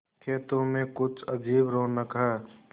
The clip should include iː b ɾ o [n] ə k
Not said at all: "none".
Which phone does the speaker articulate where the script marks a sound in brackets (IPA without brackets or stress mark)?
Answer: n